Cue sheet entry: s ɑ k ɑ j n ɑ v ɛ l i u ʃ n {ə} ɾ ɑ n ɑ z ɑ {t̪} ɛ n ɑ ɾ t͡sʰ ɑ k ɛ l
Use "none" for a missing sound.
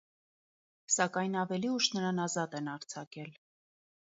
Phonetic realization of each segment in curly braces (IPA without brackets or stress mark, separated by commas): ə, t̪